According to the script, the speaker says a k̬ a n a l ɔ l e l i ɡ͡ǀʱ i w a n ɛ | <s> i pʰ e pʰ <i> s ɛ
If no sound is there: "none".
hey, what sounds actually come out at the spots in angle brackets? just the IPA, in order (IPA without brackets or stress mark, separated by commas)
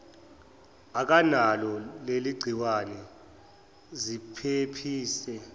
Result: z, iː